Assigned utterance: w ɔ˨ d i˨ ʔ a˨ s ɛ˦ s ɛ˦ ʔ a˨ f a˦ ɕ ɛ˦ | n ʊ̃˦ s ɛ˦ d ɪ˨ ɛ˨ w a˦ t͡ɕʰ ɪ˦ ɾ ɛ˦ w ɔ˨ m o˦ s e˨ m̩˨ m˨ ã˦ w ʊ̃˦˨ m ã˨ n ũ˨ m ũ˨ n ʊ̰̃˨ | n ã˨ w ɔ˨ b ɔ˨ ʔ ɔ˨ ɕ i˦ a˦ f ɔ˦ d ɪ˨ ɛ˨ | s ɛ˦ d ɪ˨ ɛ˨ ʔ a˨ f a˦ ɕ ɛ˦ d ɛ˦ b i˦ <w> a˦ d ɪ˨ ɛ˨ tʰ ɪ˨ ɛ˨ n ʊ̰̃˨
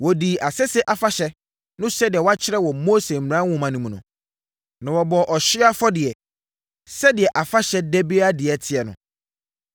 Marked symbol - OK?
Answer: no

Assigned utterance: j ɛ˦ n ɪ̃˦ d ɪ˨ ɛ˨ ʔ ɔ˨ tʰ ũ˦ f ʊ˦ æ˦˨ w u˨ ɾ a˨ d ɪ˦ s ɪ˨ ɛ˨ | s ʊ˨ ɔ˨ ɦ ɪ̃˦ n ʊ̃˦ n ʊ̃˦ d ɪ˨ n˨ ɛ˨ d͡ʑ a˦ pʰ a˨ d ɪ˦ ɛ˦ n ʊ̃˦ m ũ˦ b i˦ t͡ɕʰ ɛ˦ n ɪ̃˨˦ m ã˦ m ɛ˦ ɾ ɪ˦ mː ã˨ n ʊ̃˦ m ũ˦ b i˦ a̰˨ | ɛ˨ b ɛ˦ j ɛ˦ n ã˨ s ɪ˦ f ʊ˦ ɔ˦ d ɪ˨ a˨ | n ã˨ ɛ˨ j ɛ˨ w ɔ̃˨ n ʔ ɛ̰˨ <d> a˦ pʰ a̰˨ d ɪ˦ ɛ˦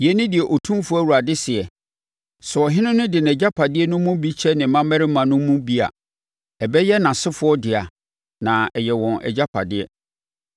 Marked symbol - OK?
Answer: no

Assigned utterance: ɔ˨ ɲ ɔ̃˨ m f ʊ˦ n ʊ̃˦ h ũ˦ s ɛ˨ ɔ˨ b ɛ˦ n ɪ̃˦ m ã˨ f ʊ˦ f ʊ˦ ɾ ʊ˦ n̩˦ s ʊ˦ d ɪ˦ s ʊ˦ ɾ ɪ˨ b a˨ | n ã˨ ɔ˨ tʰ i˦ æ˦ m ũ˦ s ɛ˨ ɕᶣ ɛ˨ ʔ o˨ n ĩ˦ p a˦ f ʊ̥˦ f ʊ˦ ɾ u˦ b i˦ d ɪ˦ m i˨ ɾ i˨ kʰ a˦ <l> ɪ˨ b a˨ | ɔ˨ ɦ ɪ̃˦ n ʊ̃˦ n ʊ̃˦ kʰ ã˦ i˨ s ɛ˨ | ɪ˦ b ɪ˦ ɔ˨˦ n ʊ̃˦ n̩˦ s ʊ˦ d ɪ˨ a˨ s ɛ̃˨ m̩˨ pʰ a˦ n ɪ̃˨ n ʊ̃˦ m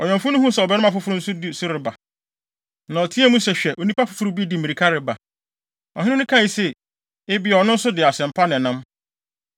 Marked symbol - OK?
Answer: no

